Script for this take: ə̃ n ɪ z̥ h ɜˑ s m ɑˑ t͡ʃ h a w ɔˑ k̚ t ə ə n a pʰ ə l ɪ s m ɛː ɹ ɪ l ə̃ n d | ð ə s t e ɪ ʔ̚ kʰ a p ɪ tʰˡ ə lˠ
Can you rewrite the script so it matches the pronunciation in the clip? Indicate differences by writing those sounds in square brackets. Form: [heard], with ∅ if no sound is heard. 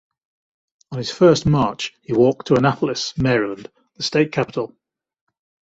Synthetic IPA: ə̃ n ɪ z̥ [f] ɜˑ s m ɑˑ t͡ʃ h [i] w ɔˑ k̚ [tʰ] ə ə n a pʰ ə l ɪ s m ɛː ɹ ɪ l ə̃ n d | ð ə s t e ɪ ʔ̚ kʰ a p ɪ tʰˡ ə lˠ